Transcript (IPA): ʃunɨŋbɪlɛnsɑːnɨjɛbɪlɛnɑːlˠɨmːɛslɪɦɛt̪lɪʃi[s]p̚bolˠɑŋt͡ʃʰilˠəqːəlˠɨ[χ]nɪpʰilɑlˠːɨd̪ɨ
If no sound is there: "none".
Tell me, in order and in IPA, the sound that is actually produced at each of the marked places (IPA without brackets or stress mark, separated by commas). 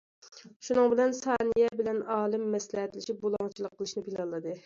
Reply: none, ʃ